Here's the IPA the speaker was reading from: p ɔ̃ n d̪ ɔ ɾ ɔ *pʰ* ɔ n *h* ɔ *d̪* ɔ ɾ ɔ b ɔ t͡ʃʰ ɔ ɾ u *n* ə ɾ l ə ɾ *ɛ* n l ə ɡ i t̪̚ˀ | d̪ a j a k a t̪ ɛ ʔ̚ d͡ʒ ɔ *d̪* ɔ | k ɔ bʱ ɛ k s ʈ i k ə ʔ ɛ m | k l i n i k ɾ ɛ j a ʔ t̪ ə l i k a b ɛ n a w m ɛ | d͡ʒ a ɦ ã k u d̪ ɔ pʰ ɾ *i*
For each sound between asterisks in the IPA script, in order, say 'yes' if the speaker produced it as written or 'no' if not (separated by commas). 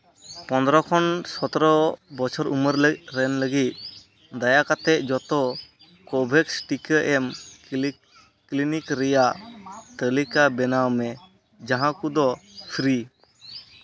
no, no, no, no, yes, no, yes